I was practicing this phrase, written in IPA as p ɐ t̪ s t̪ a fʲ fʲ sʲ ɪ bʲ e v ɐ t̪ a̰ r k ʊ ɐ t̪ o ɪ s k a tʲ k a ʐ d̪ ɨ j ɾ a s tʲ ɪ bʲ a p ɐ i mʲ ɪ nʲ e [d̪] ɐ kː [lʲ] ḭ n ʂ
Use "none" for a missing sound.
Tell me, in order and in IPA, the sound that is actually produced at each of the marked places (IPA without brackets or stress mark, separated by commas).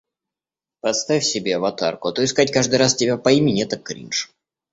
t̪, ɾʲ